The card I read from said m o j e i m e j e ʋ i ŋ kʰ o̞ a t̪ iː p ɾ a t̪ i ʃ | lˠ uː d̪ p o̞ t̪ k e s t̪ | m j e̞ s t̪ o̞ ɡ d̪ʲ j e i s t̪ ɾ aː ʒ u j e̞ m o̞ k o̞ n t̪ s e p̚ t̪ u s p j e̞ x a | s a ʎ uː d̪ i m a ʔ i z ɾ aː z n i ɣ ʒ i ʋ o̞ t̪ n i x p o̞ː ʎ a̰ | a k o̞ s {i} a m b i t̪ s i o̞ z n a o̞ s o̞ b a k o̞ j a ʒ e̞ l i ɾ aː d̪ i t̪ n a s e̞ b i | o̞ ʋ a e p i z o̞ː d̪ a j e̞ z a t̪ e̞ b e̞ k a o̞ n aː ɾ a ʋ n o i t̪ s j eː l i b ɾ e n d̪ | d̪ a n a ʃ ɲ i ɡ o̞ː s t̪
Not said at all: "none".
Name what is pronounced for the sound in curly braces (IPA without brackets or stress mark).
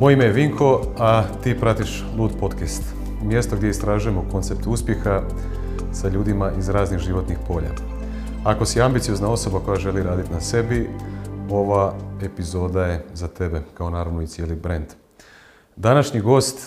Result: i